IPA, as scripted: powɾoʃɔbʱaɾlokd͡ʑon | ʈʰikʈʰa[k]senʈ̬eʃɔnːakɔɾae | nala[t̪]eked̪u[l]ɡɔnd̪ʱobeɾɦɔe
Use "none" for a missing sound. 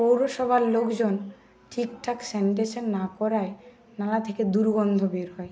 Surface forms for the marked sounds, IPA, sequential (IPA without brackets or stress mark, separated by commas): k, t̪ʰ, ɾ